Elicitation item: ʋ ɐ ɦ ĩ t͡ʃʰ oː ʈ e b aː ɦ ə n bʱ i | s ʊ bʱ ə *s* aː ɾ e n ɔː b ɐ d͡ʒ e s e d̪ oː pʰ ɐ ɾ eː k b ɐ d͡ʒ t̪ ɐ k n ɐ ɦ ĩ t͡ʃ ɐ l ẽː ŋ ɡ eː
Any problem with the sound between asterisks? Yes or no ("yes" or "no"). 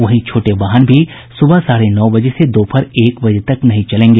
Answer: no